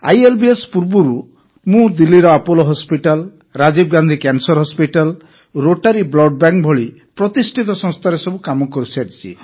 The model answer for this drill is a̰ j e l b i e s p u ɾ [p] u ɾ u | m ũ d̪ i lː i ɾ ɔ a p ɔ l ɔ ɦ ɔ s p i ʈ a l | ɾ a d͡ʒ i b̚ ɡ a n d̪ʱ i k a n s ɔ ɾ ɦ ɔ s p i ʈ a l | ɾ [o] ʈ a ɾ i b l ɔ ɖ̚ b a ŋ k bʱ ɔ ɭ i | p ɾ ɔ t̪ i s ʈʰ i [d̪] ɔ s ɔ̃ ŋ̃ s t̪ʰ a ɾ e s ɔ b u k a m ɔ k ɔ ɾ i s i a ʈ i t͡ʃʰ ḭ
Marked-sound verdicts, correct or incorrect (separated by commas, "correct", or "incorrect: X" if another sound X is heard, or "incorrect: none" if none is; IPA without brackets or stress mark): incorrect: b, correct, incorrect: t̪